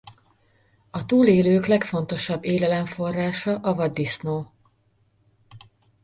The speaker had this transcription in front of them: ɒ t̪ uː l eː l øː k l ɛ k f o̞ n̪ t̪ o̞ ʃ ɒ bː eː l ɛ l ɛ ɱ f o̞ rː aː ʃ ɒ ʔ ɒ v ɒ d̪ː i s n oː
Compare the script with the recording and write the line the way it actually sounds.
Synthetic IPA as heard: ɒ t̪ uː l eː l øː k l ɛ k f o̞ n̪ t̪ o̞ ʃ ɒ bː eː l ɛ l ɛ ɱ f o̞ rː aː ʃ ɒ ʔ ɒ v ɒ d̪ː i s n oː